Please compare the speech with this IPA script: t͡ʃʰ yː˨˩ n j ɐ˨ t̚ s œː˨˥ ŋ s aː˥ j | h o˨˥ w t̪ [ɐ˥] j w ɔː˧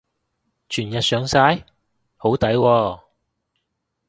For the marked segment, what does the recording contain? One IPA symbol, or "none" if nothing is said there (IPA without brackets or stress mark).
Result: ɐ˨˥